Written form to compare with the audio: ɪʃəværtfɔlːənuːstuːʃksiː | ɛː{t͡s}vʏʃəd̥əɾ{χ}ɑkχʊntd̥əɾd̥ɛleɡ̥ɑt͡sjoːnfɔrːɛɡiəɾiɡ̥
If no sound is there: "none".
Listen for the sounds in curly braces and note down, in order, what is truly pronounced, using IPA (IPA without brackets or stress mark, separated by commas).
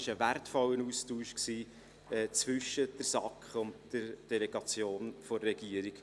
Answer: t͡s, s